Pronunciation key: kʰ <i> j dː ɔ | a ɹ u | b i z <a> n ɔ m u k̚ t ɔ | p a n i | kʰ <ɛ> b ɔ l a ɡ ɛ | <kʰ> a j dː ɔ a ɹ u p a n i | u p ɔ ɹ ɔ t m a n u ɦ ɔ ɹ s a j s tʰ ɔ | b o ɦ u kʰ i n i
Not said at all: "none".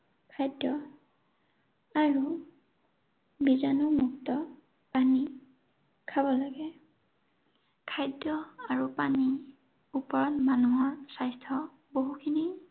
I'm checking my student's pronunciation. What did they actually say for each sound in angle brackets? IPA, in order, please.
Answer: a, a, a, kʰ

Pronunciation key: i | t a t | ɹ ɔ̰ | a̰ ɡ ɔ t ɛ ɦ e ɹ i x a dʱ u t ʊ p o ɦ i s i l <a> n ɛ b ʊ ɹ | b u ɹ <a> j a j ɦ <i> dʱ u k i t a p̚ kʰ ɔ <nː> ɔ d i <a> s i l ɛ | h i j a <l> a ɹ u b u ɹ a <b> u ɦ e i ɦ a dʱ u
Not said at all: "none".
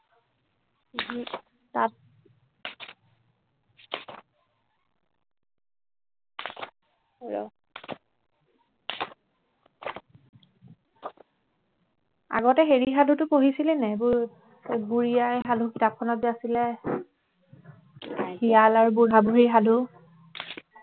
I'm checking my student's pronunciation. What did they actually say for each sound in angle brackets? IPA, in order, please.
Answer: ɛ, i, a, n, a, l, b

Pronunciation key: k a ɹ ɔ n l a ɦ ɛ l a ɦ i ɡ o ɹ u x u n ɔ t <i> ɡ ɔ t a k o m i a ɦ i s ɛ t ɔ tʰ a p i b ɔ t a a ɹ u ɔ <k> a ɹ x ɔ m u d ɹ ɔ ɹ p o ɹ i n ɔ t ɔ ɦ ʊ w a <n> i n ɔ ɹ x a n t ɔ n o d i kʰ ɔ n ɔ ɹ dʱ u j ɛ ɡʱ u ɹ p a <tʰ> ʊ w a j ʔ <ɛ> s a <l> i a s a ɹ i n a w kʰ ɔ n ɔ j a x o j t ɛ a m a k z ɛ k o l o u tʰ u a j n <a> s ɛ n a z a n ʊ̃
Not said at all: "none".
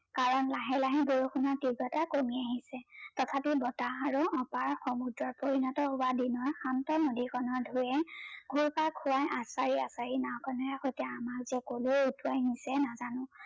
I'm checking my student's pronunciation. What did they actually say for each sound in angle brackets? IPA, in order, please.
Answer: i, p, d, kʰ, a, ɹ, i

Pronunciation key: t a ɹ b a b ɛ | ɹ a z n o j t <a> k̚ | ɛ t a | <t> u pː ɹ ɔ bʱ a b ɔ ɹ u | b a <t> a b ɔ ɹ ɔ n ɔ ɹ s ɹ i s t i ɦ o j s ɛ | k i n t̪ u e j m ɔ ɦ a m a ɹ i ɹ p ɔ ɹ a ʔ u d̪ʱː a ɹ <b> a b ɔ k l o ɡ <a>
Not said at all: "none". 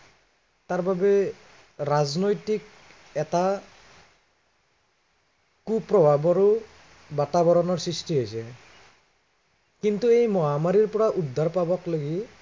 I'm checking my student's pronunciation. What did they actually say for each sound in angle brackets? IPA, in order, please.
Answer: i, k, t, p, i

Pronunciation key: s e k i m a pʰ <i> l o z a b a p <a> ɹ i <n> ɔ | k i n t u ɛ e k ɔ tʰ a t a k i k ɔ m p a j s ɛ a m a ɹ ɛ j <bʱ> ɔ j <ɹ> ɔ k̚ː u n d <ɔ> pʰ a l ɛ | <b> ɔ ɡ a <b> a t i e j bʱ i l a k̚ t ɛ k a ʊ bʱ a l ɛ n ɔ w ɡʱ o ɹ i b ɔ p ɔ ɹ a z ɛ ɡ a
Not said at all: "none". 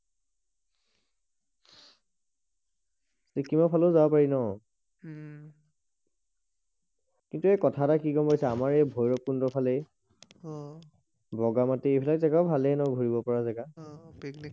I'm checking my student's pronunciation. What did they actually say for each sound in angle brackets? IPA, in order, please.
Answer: a, a, n, bʱ, ɹ, ɔ, b, m

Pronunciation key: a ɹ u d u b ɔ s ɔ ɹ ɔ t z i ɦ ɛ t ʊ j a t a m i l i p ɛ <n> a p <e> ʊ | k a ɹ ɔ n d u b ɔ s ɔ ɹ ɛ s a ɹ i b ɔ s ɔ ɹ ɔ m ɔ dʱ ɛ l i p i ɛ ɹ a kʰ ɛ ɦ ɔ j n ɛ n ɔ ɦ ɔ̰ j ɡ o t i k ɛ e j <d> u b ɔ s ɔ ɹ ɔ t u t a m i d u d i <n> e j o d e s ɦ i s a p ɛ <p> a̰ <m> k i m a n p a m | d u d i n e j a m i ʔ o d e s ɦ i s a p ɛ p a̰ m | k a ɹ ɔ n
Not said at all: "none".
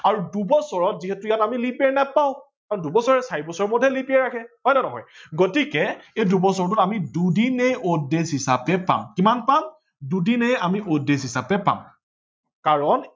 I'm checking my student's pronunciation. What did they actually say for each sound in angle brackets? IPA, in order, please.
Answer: n, a, d, n, p, m

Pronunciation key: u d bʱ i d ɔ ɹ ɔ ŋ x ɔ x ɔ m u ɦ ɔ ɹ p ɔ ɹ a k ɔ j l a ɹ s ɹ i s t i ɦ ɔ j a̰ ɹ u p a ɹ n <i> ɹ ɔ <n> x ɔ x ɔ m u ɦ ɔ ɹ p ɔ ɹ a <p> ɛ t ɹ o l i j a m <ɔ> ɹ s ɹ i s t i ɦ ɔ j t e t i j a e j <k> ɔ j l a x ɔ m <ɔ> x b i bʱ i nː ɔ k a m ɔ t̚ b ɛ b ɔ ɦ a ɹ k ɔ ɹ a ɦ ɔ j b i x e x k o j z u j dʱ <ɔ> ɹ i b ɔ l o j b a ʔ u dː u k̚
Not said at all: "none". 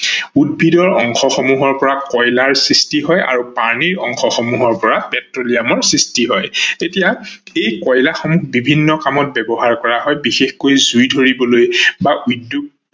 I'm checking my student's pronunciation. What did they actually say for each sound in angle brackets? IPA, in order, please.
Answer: i, ŋ, p, ɔ, k, u, o

